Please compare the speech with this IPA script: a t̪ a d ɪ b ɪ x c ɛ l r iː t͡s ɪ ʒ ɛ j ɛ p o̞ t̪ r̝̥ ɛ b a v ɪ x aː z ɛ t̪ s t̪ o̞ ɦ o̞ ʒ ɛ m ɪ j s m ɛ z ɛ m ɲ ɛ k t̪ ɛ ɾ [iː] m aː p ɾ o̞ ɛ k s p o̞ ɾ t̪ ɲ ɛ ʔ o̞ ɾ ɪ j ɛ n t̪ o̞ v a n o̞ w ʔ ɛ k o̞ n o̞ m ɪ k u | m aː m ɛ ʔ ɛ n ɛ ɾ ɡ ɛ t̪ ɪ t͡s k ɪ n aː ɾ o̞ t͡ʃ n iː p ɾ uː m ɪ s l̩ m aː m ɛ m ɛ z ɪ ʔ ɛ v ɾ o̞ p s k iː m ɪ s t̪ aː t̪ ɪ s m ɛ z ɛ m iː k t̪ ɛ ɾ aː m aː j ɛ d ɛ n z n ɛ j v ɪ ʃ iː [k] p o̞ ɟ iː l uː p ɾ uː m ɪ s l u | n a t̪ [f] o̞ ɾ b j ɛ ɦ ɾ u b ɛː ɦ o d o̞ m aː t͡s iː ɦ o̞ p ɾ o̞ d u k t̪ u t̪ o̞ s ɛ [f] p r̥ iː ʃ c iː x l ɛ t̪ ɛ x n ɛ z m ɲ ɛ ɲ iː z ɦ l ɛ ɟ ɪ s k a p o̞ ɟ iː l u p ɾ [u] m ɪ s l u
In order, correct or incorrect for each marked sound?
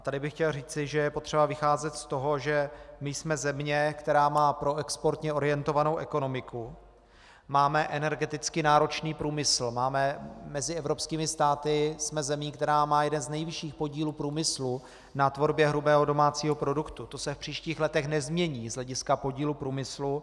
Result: incorrect, incorrect, incorrect, correct, incorrect

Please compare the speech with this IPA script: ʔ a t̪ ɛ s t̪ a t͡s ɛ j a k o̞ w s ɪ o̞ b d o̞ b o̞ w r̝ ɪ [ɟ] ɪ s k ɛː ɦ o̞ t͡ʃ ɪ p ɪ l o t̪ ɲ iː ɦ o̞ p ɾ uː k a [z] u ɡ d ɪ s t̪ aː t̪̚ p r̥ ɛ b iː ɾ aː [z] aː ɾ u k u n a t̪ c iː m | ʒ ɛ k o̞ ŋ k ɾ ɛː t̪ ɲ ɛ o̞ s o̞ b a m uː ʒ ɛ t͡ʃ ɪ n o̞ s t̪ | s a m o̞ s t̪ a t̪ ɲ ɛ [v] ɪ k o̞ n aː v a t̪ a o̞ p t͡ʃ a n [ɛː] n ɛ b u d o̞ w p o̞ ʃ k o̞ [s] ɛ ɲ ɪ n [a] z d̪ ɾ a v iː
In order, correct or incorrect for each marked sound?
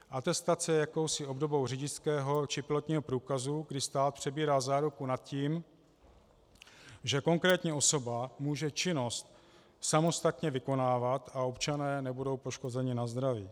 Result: correct, correct, correct, correct, correct, incorrect, correct

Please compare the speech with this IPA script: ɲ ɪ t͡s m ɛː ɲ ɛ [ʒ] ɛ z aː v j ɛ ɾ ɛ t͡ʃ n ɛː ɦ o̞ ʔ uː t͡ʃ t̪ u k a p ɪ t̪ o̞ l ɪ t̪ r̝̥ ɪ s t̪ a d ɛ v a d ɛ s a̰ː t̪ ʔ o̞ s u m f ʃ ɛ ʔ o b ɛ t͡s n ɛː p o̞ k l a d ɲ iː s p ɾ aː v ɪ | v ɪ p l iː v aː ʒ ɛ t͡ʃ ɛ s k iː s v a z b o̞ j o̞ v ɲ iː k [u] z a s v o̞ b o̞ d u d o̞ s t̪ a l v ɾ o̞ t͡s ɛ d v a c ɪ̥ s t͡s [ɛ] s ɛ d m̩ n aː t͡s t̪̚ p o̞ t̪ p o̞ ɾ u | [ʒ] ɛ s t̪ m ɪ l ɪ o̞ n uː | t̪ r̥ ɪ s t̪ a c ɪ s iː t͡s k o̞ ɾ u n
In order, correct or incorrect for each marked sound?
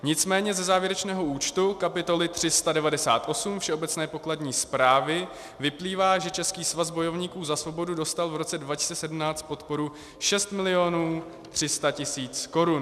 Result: incorrect, incorrect, correct, incorrect

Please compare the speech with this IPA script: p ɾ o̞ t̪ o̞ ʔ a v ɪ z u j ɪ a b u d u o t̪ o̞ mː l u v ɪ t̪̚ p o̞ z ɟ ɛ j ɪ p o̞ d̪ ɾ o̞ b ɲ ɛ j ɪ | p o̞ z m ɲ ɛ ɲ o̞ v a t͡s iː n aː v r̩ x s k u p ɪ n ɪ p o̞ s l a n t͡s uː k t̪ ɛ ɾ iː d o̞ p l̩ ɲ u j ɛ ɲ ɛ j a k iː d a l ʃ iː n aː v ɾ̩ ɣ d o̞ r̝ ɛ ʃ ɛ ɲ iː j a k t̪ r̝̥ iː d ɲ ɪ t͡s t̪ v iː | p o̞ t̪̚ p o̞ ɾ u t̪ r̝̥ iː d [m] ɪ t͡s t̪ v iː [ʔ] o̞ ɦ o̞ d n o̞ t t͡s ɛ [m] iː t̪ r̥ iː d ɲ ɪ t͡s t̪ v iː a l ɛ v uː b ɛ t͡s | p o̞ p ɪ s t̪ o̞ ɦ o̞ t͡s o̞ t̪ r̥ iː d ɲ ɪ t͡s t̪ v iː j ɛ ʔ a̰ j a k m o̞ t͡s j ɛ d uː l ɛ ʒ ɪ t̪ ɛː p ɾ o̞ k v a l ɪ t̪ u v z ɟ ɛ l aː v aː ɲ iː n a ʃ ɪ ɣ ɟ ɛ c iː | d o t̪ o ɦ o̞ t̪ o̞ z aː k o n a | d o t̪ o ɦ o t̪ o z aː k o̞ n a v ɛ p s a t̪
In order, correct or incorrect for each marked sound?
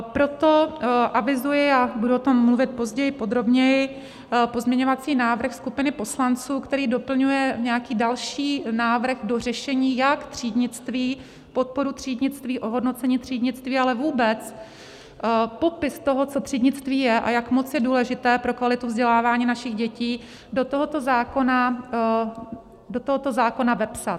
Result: incorrect, correct, incorrect

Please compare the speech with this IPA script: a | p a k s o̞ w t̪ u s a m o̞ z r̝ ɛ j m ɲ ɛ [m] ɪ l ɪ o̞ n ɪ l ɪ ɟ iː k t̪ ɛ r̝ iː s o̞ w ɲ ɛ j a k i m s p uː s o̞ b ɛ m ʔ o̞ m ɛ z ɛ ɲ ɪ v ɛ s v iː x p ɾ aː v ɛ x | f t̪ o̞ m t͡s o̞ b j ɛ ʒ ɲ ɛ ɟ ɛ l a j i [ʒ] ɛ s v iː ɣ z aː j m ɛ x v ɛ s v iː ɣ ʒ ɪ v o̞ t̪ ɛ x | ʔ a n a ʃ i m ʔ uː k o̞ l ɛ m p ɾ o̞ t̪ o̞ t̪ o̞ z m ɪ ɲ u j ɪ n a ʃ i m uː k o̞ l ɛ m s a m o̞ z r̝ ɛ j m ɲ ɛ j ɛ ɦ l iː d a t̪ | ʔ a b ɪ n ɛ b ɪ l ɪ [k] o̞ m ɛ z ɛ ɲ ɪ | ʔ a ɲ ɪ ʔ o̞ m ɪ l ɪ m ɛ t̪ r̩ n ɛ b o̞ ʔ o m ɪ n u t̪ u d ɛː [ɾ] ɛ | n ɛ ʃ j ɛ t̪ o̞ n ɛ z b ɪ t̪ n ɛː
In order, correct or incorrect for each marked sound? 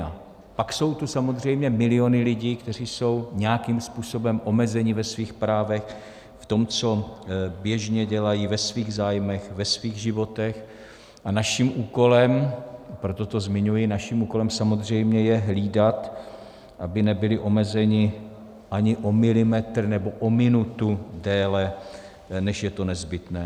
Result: correct, incorrect, incorrect, incorrect

